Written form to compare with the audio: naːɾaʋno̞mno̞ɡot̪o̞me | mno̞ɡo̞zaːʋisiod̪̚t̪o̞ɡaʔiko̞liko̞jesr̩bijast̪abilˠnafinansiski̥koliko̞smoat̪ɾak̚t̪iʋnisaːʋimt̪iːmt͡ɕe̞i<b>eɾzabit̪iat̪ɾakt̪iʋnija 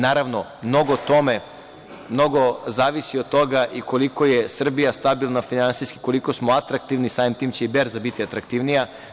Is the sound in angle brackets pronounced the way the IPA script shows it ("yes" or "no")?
yes